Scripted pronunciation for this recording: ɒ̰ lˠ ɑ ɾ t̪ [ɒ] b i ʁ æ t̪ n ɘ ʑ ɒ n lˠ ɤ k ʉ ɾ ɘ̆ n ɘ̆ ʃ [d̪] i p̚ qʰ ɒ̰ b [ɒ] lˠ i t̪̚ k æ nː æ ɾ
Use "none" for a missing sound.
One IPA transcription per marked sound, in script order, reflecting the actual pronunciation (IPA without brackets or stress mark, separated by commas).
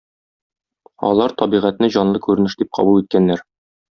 ɒ, d̪, u